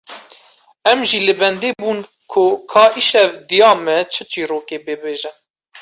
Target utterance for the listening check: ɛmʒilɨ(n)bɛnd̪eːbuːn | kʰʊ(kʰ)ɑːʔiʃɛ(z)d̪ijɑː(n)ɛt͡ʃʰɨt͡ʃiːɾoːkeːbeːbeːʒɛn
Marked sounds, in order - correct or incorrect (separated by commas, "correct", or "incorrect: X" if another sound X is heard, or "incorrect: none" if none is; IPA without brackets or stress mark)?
incorrect: none, correct, incorrect: v, incorrect: m